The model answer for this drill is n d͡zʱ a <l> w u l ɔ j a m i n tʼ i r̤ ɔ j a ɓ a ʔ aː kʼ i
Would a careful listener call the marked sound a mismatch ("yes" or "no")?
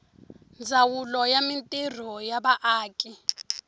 yes